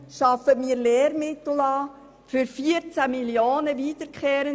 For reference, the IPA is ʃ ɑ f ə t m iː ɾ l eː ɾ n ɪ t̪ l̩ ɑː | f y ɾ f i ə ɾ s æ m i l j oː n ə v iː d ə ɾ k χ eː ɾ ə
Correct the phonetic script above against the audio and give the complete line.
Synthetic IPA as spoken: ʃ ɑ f ə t m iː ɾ l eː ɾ m ɪ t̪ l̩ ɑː | f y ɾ f i ə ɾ t͡s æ m i l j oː n ə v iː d ə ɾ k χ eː ɾ ə